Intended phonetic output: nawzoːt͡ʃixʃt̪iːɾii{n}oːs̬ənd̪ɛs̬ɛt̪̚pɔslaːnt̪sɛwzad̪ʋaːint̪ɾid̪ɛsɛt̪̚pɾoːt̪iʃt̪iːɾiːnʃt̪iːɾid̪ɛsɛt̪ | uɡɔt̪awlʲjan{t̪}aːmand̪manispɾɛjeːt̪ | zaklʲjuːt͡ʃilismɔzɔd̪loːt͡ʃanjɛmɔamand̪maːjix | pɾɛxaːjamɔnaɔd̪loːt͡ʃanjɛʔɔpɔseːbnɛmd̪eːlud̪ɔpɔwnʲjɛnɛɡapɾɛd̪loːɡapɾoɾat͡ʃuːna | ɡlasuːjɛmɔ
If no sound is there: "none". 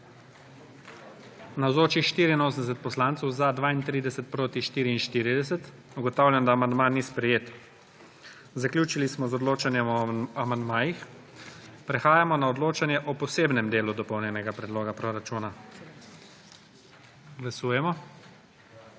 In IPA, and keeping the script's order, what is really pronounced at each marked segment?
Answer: n, d̪

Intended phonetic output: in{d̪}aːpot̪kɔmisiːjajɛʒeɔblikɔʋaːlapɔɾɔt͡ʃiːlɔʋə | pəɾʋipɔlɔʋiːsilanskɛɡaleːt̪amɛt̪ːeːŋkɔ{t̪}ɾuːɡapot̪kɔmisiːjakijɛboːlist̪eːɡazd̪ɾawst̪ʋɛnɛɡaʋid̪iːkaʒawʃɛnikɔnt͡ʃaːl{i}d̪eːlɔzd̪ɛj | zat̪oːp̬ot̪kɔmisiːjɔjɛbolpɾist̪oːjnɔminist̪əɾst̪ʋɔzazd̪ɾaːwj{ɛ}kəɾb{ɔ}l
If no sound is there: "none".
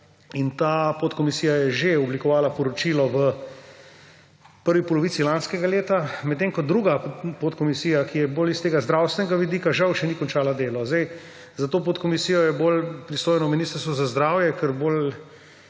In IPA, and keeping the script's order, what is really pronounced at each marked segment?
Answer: t̪, d̪, a, ɛ, o

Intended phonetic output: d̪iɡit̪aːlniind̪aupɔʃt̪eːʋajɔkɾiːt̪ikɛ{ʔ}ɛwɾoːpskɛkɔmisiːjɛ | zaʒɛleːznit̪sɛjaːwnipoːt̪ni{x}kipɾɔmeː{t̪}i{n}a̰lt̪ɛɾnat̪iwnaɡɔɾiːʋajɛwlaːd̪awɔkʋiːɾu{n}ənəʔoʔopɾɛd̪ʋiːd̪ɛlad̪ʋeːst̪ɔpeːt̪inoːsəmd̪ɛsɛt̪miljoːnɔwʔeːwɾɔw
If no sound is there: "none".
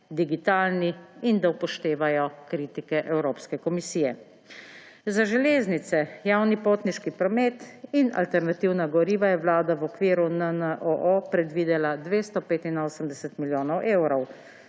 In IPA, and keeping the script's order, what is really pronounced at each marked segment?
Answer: ʔ, ʃ, t̪, n, n

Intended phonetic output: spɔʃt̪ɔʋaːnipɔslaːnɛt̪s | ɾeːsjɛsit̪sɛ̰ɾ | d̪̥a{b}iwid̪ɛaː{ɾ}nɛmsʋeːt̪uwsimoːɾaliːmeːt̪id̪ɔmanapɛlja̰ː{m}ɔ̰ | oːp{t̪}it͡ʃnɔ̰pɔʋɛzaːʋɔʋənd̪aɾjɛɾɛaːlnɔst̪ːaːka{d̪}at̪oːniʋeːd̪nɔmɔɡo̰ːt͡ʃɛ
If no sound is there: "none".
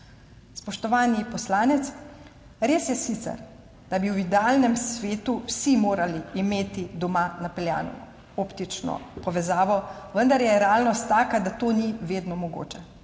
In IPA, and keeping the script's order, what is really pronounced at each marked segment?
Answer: b, l, n, t̪, d̪

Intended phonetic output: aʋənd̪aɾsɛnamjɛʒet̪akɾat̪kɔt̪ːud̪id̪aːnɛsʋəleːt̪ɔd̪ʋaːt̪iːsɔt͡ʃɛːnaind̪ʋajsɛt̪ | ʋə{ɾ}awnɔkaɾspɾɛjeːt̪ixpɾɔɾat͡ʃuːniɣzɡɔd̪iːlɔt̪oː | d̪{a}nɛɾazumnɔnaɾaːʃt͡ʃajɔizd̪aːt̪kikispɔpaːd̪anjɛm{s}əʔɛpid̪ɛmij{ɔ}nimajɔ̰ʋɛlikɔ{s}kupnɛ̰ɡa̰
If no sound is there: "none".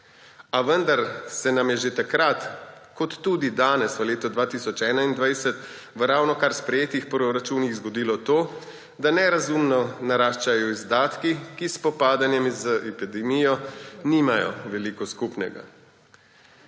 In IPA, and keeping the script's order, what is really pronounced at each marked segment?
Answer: ɾ, a, z, ɔ, s

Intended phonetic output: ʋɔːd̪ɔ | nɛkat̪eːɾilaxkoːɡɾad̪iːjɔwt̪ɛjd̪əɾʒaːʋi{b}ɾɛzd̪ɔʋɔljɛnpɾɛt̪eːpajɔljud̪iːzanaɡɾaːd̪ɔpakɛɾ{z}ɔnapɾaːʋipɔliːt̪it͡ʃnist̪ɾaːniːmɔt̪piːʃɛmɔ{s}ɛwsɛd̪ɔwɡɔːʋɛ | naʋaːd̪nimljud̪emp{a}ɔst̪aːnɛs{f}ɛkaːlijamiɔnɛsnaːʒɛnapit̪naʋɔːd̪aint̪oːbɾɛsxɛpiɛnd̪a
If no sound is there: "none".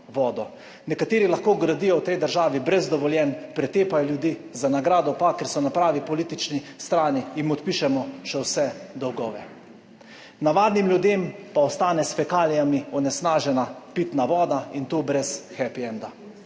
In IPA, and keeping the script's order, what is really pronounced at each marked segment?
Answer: b, s, ʃ, a, f

